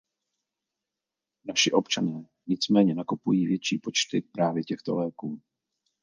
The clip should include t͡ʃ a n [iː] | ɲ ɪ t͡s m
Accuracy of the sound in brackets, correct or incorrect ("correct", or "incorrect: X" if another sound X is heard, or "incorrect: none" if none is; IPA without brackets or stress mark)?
incorrect: ɛː